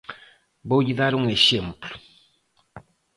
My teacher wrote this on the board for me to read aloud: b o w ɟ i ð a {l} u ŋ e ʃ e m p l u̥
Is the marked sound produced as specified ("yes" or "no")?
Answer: no